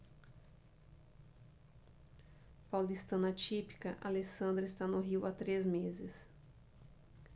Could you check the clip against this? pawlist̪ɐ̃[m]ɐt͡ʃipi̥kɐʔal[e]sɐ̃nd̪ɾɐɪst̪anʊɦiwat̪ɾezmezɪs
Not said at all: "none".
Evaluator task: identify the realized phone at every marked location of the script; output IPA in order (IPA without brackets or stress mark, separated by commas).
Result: n, e